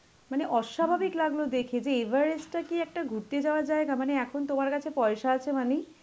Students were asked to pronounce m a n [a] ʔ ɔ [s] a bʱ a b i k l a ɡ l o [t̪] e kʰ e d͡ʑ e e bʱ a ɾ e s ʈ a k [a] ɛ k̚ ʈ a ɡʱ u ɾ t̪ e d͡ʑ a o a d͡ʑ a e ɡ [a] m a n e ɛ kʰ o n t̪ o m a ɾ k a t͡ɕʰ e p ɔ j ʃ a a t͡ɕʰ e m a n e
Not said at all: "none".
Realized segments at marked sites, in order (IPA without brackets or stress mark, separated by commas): e, ʃ, d̪, i, a